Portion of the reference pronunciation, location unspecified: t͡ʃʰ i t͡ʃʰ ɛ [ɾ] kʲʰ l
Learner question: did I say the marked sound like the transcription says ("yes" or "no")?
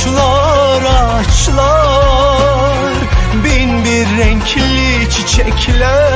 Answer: no